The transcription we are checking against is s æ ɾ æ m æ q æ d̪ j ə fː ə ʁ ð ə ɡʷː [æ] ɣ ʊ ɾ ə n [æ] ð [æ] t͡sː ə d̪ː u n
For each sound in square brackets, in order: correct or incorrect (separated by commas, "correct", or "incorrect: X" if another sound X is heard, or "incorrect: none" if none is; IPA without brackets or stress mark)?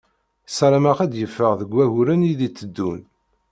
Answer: correct, incorrect: i, incorrect: i